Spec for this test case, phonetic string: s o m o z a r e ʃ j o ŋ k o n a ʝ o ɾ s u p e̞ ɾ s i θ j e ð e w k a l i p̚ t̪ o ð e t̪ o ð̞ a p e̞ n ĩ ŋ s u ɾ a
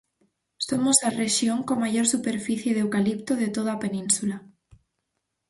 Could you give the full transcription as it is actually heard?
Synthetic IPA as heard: s o m o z a r e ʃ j o ŋ k o m a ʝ o ɾ s u p e̞ ɾ f i θ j e ð e w k a l i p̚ t̪ o ð e t̪ o ð̞ a p e̞ n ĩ n s u l a